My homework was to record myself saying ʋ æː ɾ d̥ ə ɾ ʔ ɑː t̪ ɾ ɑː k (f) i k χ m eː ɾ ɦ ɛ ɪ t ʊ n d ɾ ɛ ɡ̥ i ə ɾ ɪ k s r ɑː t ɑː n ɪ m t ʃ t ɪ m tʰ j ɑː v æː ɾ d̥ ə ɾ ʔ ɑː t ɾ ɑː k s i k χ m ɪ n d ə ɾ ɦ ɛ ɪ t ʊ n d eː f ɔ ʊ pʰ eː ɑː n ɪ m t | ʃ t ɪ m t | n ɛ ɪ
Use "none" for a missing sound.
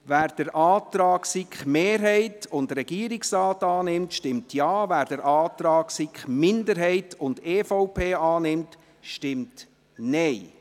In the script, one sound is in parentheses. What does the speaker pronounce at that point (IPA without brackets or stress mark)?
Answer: s